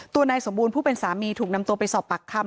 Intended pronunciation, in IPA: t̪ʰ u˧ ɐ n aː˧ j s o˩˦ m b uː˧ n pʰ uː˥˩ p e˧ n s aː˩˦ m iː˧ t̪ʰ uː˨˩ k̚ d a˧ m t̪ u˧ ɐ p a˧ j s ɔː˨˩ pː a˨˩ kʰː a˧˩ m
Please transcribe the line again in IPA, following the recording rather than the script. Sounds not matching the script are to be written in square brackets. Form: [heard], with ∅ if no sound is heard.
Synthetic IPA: [t̪] u˧ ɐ n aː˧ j s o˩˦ m b uː˧ n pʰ uː˥˩ p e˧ n s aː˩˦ m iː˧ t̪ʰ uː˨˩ k̚ [n] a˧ m t̪ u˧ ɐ p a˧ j s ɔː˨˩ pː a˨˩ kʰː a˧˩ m